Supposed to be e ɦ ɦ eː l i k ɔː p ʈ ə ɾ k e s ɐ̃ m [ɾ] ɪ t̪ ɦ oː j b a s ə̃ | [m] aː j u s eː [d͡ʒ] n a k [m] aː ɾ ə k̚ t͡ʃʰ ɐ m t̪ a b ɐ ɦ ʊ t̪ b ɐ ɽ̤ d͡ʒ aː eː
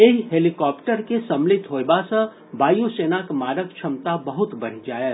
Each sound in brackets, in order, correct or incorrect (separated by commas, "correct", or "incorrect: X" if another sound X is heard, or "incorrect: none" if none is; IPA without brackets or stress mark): incorrect: l, incorrect: b, incorrect: none, correct